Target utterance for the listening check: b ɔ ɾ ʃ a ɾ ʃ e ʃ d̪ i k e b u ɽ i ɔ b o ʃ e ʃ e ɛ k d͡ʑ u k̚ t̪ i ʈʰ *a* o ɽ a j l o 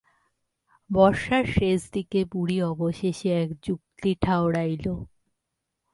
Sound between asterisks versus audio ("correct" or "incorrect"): correct